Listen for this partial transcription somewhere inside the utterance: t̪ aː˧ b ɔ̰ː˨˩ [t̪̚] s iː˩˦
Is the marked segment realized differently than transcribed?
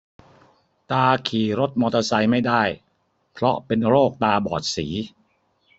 no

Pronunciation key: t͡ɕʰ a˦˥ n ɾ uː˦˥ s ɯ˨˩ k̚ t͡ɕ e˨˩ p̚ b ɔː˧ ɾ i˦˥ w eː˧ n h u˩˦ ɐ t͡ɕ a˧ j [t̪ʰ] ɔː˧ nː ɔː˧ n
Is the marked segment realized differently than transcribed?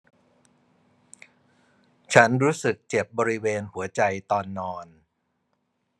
yes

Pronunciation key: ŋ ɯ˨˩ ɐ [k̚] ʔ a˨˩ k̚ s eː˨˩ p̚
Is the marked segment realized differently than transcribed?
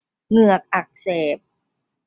no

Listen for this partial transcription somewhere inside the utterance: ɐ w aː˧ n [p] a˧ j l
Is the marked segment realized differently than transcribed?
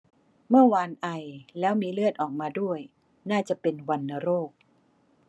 yes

